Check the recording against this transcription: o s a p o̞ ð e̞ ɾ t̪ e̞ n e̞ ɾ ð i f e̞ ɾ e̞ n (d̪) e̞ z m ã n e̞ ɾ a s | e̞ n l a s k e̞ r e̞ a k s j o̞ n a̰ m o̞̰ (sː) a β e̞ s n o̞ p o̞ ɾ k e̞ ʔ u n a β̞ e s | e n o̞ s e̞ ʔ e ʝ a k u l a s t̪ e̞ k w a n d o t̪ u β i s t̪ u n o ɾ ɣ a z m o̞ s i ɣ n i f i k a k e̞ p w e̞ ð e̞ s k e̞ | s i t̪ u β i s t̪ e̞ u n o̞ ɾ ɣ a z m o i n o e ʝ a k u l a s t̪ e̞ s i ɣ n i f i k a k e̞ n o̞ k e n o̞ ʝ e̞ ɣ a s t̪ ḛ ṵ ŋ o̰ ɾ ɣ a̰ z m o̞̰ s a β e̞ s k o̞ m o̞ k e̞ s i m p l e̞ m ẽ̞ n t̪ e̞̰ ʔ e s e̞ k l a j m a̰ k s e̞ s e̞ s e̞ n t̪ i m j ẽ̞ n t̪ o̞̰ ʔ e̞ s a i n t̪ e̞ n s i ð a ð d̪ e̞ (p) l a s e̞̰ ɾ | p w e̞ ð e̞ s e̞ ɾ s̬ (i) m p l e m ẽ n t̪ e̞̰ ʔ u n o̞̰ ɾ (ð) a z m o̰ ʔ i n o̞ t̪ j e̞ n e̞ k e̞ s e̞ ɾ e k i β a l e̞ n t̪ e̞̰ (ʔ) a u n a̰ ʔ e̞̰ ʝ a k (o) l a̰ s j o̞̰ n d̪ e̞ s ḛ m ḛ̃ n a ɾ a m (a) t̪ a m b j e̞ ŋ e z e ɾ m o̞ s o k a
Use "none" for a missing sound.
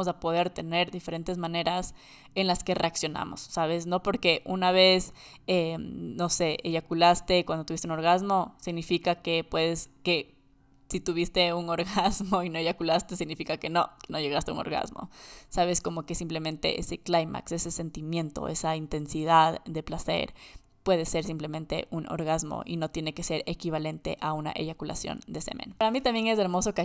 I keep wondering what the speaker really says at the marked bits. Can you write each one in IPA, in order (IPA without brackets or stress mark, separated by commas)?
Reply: t̪, sː, p, i, ɣ, ʔ, u, i